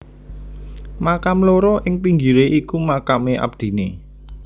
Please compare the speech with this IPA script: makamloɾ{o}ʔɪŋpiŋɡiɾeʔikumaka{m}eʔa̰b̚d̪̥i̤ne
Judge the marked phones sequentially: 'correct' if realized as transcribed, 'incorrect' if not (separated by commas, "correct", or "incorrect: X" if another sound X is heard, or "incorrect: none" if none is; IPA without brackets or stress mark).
incorrect: ɔ, correct